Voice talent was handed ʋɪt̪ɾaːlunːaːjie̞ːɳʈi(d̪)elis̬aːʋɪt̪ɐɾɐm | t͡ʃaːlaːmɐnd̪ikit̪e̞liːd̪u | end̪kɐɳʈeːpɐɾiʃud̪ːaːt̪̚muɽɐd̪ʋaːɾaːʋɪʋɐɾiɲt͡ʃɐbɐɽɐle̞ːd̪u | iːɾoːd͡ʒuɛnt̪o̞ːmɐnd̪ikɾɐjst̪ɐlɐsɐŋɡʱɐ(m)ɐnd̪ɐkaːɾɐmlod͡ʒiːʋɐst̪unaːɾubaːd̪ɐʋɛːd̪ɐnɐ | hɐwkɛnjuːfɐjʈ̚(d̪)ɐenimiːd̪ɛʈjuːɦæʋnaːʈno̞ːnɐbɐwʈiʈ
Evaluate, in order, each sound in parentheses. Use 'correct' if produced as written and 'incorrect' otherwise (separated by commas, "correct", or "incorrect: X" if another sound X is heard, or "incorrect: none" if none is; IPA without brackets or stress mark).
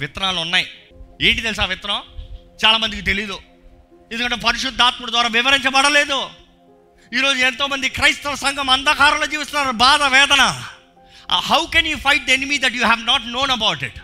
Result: incorrect: t̪, correct, correct